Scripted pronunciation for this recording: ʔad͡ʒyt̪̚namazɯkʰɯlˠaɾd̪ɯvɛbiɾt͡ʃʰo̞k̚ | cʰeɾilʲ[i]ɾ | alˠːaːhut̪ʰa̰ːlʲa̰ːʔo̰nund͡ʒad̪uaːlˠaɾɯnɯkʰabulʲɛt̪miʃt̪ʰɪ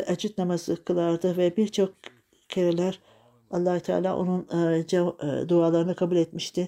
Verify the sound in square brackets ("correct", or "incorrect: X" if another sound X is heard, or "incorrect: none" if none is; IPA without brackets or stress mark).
incorrect: æ